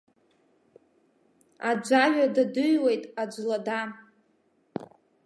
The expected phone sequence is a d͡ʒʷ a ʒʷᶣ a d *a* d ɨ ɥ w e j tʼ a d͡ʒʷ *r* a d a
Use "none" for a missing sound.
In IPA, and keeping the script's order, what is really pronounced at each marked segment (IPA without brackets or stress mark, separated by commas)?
a, l